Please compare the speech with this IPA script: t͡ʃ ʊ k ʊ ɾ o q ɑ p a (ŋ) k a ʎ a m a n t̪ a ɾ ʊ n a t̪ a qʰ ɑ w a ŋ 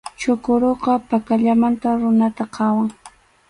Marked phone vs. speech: incorrect: none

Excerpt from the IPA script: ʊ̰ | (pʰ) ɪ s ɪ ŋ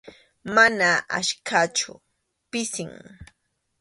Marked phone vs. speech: incorrect: p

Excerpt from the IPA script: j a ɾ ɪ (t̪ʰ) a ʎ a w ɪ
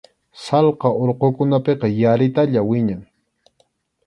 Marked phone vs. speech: incorrect: t̪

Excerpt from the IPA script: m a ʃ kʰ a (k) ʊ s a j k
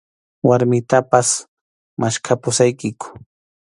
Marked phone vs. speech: incorrect: p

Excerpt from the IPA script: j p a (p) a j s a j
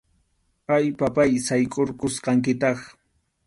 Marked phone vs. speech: correct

